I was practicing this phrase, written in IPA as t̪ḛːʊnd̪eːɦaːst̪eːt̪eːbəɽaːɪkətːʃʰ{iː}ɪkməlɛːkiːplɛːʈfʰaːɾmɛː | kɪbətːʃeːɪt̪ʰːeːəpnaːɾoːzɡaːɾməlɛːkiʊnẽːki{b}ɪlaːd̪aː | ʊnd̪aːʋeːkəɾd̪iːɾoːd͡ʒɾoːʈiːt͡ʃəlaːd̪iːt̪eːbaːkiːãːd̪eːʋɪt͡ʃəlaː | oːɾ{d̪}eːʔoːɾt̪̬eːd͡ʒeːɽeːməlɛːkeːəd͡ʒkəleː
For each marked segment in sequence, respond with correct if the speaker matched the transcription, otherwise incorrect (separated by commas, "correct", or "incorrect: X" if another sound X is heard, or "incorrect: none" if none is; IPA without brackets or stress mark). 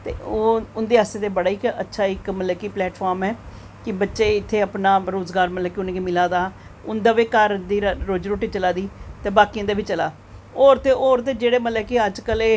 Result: incorrect: aː, incorrect: m, incorrect: t̪